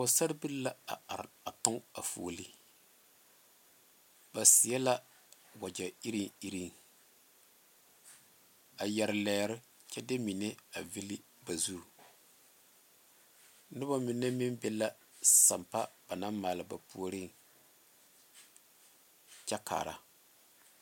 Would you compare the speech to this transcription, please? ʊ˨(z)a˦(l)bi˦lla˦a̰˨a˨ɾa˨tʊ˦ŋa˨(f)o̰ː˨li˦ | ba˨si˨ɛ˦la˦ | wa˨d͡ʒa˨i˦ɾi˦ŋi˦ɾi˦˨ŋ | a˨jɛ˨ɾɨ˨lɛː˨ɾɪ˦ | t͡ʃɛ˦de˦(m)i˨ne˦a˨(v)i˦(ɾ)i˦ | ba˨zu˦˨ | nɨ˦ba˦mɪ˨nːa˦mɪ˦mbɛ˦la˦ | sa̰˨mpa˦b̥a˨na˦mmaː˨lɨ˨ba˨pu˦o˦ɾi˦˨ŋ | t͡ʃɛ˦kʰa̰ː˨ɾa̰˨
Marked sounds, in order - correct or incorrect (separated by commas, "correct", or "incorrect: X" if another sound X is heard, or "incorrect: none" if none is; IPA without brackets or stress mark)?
incorrect: s, incorrect: ɾ, correct, correct, correct, incorrect: l